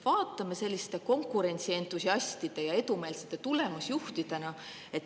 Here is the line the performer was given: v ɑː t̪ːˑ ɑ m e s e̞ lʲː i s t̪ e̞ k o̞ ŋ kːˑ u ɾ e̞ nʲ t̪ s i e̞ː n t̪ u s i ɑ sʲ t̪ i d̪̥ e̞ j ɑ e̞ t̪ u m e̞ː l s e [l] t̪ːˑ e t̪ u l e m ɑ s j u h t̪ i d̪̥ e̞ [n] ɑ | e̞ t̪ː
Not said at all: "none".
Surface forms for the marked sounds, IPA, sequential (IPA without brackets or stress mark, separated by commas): none, n